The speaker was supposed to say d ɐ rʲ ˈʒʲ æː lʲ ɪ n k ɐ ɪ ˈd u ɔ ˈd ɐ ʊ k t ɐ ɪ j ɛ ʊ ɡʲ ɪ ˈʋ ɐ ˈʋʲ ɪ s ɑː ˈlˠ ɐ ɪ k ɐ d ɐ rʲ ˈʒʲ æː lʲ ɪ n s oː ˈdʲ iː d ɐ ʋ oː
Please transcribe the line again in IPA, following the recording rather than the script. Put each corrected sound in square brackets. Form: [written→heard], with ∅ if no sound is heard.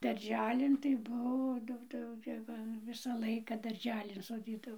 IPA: d ɐ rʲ ˈʒʲ æː lʲ ɪ n [k→t] ɐ ɪ [ˈd→ˈb] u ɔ ˈd ɐ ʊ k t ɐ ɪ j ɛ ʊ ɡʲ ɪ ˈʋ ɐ ˈʋʲ ɪ s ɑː ˈlˠ ɐ ɪ k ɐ d ɐ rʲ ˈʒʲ æː lʲ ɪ n s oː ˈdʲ iː d ɐ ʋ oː